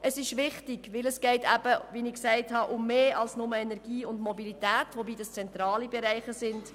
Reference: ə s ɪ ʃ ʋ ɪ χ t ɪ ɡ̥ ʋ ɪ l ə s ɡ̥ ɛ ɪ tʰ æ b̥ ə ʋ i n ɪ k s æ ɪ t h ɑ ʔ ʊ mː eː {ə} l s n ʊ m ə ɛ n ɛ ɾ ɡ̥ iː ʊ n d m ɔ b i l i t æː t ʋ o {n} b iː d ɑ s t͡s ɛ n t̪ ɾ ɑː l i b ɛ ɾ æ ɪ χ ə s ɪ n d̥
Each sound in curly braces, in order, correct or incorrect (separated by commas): incorrect, incorrect